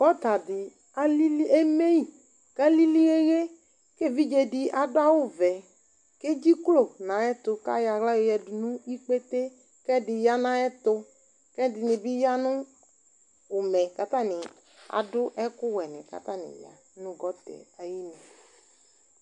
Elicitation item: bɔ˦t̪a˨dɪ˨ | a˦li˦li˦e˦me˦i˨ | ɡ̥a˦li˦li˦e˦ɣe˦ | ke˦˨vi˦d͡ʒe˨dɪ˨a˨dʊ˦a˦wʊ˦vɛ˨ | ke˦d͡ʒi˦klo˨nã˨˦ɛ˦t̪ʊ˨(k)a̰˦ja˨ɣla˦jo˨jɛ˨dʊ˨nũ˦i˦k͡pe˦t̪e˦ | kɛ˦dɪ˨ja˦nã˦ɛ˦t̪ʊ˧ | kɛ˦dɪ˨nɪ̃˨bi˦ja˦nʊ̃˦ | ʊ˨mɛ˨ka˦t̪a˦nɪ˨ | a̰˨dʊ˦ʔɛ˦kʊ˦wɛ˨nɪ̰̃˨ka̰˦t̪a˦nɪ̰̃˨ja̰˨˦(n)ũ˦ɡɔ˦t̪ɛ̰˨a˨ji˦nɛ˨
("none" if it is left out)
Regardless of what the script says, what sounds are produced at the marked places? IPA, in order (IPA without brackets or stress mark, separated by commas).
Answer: k, n